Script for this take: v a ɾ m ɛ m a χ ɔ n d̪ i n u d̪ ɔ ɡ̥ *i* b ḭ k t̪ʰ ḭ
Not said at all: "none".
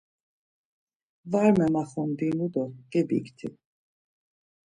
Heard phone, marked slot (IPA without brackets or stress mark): ɛ